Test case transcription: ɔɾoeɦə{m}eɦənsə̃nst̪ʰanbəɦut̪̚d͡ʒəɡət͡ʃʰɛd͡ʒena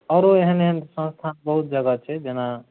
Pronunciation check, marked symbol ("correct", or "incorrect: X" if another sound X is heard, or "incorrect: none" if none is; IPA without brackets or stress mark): incorrect: n